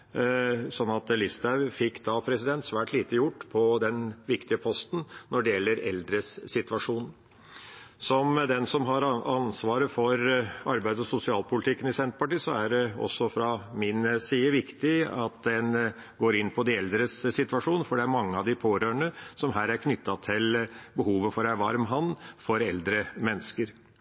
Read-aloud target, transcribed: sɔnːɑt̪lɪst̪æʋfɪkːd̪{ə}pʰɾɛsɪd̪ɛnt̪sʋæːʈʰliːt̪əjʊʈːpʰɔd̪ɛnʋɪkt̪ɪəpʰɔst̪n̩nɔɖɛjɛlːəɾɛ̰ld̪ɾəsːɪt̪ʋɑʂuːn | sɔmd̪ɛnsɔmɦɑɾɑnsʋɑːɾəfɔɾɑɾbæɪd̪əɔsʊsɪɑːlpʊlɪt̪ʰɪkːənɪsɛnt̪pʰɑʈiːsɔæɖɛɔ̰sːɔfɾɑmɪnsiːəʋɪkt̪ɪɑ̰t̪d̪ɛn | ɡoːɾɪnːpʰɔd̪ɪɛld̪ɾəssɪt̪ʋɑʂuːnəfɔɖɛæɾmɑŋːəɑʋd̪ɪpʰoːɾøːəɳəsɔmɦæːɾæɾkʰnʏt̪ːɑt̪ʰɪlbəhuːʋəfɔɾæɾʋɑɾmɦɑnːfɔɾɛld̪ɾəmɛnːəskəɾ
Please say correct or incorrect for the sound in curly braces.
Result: incorrect: ɑ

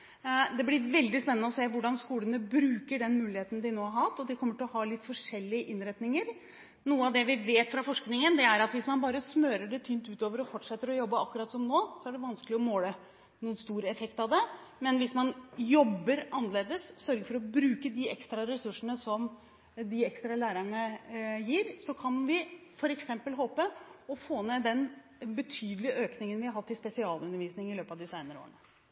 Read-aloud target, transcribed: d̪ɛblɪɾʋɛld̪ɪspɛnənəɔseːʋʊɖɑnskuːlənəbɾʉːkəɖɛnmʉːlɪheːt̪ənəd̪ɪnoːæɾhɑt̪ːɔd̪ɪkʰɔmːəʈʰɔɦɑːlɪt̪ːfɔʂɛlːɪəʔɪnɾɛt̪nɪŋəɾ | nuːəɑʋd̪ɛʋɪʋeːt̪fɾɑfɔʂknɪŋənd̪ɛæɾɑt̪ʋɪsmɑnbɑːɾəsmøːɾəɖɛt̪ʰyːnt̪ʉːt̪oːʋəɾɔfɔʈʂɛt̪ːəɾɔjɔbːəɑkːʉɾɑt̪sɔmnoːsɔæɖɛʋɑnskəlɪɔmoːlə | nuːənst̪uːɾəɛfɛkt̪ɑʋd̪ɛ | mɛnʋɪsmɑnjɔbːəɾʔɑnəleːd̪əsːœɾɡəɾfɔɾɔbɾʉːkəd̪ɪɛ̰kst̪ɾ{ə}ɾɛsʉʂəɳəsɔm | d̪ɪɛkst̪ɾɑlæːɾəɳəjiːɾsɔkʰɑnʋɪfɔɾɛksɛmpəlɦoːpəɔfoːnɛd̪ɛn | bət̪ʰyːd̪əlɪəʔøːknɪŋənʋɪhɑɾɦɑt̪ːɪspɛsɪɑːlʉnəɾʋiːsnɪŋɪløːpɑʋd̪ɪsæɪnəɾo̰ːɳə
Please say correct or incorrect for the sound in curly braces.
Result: incorrect: ɑ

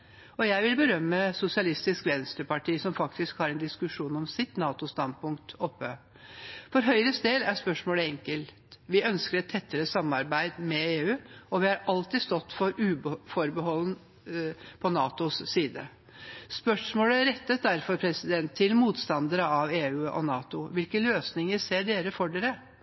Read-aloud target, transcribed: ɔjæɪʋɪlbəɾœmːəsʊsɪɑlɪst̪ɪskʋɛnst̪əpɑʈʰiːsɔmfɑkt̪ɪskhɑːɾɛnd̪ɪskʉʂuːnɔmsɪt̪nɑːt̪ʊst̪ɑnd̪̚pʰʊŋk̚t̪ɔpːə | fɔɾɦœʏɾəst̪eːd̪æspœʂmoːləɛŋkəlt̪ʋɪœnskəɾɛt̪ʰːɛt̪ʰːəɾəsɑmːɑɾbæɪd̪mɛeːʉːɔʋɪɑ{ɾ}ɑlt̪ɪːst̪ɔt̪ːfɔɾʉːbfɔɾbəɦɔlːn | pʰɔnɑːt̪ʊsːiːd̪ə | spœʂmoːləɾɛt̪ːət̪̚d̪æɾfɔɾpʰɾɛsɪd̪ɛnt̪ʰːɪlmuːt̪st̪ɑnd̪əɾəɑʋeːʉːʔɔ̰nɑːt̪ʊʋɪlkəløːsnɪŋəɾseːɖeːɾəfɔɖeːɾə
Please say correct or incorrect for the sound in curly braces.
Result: correct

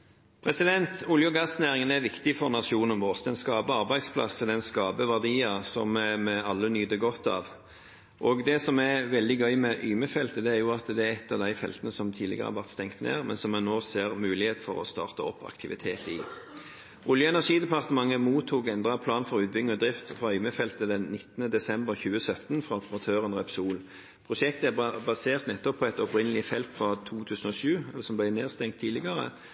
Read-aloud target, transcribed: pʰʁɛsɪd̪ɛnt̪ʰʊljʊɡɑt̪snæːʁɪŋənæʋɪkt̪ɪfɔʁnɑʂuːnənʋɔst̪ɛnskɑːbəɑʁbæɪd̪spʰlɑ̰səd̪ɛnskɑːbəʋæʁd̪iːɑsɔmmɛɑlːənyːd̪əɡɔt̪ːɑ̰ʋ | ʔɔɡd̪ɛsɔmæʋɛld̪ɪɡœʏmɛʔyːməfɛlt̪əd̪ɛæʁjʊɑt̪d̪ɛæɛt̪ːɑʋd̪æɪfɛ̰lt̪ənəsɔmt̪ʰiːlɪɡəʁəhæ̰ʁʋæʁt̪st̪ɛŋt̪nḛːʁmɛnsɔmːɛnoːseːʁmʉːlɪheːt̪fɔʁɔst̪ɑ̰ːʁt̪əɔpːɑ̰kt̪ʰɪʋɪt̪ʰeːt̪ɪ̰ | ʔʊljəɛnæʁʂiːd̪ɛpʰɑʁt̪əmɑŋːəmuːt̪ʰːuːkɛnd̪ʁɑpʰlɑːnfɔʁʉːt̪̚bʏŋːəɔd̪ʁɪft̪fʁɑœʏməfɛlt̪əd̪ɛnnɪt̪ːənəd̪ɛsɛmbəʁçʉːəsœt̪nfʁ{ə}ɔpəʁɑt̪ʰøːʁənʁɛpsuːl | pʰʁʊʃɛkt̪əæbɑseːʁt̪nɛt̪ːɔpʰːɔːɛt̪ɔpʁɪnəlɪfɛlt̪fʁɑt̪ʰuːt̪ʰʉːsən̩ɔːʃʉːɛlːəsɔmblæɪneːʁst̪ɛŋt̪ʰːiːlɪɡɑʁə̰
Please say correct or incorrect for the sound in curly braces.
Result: incorrect: ɑ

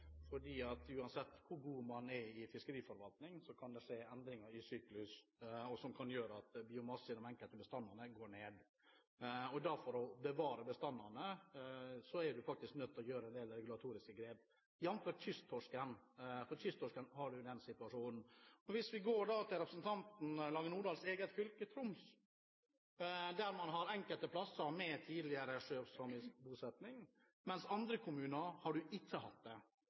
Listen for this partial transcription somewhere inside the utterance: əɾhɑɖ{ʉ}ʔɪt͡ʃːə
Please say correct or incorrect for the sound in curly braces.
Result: correct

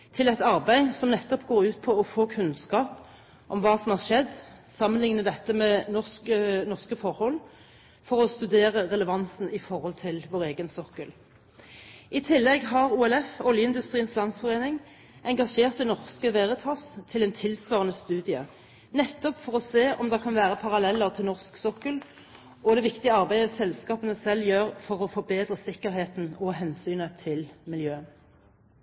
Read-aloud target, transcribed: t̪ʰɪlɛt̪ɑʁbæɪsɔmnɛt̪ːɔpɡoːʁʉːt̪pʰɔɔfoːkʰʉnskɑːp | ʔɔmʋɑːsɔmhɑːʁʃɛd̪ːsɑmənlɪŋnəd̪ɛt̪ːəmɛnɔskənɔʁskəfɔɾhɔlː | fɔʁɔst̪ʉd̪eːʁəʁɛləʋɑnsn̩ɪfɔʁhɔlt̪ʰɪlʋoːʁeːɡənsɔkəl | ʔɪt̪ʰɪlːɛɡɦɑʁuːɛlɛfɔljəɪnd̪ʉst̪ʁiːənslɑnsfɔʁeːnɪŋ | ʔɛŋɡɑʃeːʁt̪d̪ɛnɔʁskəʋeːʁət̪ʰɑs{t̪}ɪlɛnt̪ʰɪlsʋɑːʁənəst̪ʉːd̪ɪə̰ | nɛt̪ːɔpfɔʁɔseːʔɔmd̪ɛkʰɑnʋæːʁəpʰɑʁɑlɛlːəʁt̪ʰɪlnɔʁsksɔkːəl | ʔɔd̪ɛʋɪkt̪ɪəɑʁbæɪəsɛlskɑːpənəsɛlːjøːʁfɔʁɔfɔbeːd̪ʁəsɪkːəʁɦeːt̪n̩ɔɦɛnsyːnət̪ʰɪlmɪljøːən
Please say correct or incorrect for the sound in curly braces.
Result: incorrect: t̪ʰ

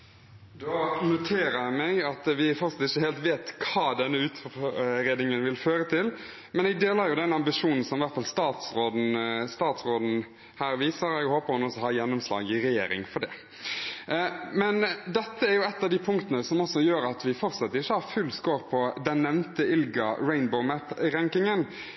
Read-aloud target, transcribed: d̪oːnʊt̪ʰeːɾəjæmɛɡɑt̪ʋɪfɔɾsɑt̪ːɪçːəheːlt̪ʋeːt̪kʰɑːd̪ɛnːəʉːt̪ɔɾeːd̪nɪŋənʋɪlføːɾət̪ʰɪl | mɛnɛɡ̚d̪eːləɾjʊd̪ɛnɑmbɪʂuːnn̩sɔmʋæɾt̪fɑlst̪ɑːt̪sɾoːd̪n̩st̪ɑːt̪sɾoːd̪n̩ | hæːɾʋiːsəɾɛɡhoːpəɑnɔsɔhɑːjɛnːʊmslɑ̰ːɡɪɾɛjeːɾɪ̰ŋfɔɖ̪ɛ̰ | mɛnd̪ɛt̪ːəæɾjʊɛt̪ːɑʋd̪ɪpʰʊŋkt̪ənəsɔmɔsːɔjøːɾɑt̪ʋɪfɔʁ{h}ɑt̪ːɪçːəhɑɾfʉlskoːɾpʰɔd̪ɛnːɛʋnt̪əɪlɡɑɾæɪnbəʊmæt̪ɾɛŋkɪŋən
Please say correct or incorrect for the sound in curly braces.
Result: incorrect: s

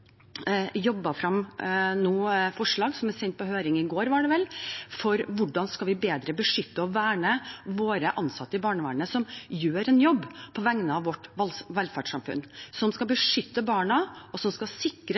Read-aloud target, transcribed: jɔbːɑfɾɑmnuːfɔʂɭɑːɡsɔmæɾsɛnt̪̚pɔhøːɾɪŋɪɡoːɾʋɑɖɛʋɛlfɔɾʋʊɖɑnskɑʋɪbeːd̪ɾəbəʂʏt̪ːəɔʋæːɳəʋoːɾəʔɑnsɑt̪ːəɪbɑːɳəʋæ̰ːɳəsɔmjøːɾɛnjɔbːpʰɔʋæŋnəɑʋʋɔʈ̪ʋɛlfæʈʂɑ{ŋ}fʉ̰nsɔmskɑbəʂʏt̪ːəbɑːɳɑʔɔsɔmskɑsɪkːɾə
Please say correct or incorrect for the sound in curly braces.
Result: incorrect: m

